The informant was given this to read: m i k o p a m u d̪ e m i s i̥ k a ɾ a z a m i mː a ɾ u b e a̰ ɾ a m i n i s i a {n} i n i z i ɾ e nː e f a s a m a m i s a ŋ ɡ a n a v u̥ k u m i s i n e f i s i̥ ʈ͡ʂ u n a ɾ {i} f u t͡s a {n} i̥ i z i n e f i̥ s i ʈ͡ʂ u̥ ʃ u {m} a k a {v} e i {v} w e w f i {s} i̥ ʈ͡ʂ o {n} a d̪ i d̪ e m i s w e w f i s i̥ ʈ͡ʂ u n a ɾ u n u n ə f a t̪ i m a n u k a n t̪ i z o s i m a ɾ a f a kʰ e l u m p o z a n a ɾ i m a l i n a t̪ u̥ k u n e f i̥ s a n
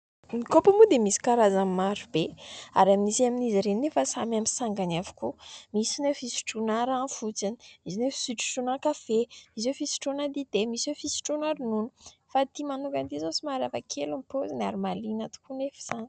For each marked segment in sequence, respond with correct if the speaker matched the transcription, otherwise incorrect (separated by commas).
incorrect, incorrect, correct, incorrect, incorrect, incorrect, correct, correct